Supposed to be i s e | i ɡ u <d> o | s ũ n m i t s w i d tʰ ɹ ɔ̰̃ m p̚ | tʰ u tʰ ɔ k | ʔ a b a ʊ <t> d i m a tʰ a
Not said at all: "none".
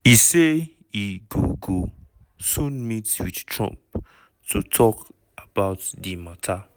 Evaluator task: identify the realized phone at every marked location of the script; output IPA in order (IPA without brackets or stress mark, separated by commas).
ɡ, t